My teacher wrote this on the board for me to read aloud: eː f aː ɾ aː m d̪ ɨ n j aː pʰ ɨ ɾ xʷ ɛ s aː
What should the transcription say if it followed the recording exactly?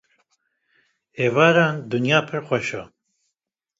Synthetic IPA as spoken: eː v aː ɾ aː n d̪ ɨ n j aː pʰ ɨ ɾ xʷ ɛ ʃ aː